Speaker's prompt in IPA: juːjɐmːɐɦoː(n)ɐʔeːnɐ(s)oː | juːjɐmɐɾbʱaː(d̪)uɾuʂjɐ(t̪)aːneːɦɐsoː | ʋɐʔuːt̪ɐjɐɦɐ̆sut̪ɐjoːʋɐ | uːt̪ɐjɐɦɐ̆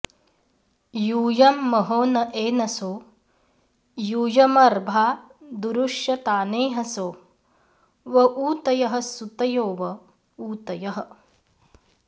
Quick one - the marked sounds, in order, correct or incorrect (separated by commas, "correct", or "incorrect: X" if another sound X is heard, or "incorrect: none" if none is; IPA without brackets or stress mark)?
correct, correct, correct, correct